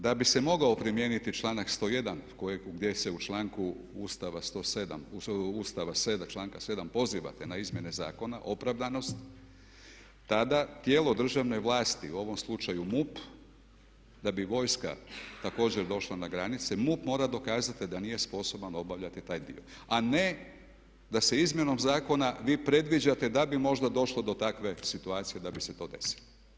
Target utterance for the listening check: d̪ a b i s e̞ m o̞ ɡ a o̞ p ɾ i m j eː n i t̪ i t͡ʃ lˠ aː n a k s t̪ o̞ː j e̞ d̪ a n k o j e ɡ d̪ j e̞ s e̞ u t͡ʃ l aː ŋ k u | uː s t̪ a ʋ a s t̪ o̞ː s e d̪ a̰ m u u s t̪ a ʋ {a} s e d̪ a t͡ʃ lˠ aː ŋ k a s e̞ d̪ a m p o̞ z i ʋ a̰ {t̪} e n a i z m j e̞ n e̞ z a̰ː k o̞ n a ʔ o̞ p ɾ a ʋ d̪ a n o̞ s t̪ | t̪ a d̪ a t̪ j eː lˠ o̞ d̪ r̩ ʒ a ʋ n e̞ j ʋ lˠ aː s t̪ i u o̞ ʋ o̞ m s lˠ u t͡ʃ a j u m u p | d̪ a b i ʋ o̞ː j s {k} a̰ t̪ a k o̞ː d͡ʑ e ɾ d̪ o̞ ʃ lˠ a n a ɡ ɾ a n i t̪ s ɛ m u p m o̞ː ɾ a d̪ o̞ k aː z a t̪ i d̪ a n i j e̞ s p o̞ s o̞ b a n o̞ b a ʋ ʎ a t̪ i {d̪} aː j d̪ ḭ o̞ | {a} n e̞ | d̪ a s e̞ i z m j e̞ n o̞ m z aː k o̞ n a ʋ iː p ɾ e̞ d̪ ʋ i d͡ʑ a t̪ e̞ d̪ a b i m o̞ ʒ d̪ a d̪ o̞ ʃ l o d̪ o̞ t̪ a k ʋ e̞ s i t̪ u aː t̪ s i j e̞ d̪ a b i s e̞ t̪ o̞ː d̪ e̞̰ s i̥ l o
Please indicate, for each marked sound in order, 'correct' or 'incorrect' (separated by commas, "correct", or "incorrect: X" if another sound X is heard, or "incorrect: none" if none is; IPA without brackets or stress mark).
correct, correct, correct, incorrect: t̪, correct